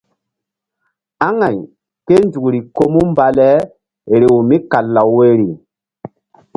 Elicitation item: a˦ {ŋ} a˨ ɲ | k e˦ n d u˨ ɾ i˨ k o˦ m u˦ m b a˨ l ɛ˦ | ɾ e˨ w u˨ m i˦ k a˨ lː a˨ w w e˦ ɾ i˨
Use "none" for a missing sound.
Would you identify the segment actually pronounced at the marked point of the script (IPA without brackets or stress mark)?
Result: ŋ